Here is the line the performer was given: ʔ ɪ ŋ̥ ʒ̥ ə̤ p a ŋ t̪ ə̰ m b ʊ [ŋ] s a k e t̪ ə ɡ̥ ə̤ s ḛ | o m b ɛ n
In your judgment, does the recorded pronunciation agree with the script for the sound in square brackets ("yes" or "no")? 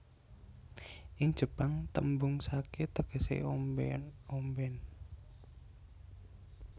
yes